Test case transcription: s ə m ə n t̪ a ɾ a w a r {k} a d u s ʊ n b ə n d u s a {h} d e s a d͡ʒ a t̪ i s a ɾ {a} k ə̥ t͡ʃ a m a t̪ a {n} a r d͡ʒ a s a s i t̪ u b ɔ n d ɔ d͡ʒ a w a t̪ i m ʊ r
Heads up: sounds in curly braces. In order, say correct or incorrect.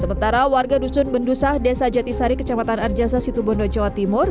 incorrect, correct, incorrect, correct

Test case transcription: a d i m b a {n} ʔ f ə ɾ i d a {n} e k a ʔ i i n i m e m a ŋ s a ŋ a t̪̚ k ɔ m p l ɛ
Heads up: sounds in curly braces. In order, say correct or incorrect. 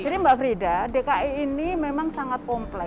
incorrect, incorrect

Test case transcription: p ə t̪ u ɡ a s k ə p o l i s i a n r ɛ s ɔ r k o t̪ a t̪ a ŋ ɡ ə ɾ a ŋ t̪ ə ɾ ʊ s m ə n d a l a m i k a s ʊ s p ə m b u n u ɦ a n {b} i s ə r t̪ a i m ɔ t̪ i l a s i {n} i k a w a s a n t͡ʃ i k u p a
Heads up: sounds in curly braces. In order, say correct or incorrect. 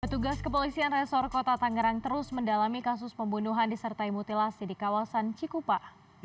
incorrect, incorrect

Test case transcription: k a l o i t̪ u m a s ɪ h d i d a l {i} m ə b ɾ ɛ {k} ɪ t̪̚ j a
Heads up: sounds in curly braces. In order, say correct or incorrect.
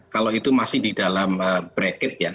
incorrect, correct

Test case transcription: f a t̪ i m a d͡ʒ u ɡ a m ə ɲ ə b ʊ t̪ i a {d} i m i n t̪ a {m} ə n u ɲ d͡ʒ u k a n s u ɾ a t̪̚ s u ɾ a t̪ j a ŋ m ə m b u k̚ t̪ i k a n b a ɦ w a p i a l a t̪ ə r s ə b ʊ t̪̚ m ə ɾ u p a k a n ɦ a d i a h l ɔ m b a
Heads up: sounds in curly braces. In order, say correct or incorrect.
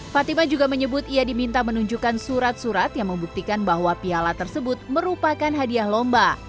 correct, correct

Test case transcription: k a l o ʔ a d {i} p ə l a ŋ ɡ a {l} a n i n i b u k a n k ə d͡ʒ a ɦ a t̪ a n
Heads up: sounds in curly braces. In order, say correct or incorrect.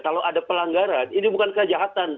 incorrect, incorrect

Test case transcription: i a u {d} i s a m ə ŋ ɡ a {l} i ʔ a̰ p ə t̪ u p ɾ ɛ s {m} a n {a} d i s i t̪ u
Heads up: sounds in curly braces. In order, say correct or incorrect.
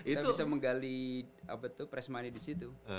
incorrect, correct, correct, incorrect

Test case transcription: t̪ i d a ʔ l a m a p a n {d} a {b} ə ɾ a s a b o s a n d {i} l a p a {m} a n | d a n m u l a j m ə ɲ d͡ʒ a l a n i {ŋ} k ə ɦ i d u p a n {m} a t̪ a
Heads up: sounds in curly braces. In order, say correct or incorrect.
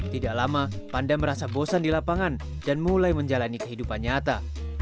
correct, incorrect, correct, incorrect, incorrect, incorrect

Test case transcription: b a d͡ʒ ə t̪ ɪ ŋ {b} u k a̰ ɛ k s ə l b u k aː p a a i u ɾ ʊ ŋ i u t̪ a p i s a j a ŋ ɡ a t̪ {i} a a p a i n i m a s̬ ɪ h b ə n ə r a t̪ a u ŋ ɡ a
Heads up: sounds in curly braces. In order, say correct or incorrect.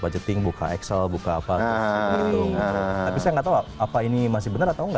correct, incorrect

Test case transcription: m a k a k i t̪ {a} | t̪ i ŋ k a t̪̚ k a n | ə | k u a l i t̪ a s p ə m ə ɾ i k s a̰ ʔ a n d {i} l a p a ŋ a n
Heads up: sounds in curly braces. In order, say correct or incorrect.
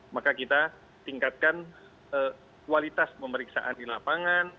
correct, correct

